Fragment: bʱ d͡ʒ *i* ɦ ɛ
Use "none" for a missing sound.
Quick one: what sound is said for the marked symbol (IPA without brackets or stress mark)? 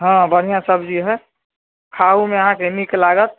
i